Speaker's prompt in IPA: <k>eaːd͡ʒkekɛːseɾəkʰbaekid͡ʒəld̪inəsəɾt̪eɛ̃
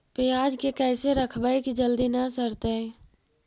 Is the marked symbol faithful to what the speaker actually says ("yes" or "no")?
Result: no